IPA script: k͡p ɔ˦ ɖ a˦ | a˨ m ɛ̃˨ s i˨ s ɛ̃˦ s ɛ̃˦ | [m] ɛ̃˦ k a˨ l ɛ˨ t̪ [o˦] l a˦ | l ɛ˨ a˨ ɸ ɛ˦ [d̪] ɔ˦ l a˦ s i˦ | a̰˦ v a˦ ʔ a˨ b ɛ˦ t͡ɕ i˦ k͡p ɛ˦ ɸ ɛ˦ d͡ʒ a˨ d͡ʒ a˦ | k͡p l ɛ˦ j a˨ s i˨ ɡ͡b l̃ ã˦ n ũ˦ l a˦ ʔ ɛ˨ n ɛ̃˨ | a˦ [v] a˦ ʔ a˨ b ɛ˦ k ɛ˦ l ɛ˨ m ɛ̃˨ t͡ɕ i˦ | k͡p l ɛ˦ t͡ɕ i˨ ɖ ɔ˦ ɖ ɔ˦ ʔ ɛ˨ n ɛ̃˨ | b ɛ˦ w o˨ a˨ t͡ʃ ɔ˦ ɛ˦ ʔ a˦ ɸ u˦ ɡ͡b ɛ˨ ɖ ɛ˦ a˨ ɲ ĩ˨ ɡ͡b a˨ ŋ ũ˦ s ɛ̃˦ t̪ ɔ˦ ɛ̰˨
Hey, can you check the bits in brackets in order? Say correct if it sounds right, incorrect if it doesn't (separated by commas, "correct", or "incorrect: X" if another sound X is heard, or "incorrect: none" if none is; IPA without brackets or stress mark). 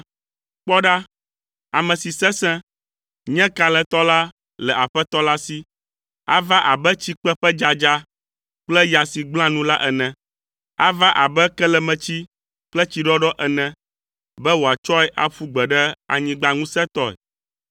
incorrect: ɲ, incorrect: ɔ˦, incorrect: t̪, correct